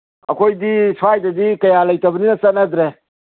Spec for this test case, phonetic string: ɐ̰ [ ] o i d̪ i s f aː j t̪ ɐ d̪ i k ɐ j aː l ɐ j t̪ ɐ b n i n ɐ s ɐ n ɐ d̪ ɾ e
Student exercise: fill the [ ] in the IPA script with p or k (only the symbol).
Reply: k